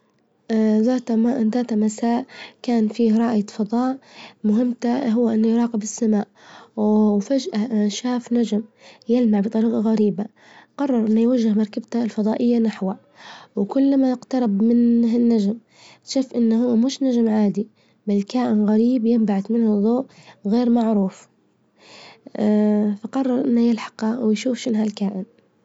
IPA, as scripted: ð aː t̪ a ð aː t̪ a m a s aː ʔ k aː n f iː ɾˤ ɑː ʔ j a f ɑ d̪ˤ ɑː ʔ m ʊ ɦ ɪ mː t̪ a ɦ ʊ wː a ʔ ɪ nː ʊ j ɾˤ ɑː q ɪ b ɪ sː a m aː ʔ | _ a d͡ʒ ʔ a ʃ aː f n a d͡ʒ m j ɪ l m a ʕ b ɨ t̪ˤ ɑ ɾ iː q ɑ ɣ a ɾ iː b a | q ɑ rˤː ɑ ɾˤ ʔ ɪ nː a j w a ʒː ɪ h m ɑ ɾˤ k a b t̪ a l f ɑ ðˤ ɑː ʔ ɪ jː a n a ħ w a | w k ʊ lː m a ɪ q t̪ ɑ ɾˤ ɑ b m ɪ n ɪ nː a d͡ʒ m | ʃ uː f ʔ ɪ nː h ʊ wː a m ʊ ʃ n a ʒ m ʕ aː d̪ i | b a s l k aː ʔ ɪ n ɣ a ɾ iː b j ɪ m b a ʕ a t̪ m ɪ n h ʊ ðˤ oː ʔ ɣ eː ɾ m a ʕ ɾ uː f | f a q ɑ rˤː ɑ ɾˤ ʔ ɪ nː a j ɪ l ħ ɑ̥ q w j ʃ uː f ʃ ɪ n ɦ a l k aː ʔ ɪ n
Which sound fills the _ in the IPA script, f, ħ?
f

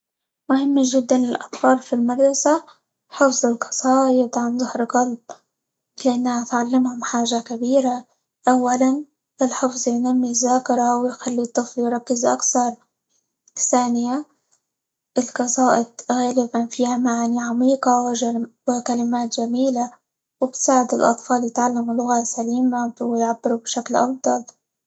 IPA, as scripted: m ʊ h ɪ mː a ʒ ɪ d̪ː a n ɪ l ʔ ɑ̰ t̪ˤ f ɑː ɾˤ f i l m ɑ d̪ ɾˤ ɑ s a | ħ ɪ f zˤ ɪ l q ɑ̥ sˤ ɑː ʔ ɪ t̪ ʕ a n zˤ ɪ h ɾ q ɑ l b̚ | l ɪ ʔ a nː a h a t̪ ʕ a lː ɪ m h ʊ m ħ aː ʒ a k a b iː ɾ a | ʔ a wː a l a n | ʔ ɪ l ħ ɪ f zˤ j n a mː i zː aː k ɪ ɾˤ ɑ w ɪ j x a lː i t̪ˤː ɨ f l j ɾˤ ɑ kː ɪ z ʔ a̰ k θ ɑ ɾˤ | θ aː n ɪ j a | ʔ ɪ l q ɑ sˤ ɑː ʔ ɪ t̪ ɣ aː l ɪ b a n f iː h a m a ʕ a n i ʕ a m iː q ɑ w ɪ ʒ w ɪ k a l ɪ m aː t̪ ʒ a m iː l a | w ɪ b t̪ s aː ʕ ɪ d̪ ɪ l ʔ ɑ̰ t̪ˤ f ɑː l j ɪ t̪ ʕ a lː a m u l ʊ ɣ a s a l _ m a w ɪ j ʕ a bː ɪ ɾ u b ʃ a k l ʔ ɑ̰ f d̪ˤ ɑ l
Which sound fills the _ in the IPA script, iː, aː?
iː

